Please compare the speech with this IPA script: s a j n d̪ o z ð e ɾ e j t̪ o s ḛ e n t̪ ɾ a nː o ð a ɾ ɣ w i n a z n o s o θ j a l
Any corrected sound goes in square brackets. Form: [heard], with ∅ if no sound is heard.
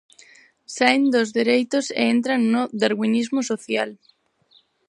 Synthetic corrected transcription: s a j n d̪ o z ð e ɾ e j t̪ o s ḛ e n t̪ ɾ a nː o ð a ɾ ɣ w i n [i] z [m] o s o θ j a l